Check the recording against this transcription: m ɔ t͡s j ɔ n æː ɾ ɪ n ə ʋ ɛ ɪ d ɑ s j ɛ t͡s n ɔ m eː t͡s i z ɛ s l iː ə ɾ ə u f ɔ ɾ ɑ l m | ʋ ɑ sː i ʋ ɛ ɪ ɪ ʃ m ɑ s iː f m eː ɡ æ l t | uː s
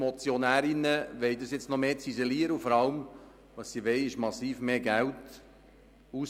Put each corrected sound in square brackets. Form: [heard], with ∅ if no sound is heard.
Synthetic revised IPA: m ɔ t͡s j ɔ n æː ɾ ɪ n ə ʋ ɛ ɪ d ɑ s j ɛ t͡s n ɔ m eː t͡s i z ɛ [∅] l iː ə ɾ ə u f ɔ ɾ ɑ l m | ʋ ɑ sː i ʋ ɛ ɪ ɪ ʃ m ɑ s iː f m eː ɡ æ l t | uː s